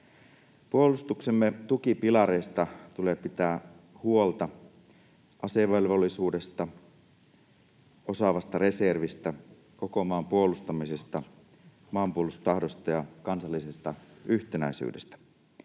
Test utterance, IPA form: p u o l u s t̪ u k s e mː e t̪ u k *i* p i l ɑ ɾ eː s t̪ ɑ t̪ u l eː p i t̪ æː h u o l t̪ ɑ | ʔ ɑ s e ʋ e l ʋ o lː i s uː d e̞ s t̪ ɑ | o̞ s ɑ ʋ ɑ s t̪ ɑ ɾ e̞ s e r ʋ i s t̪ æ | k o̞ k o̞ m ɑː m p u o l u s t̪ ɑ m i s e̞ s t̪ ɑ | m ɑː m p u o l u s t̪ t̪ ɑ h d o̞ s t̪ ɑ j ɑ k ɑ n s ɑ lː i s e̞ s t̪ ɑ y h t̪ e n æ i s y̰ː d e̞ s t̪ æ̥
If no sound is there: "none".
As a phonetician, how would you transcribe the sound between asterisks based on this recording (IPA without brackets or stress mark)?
i